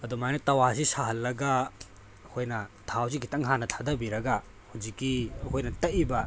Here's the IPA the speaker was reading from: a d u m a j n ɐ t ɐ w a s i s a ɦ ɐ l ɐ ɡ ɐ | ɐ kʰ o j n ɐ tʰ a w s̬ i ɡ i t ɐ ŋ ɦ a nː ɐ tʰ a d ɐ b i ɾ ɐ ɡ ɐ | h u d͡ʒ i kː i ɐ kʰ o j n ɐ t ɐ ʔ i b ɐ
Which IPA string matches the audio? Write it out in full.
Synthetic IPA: ɐ d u m a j n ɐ t ɐ w a s i s a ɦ ɐ lː ɐ ɡ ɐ | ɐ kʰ o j n ɐ tʰ a w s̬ i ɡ i t ɐ ŋ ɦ a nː ɐ tʰ a d ɐ b i ɾ ɐ ɡ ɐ | h u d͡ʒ i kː i ɐ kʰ o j n ɐ t ɐ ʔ i b ɐ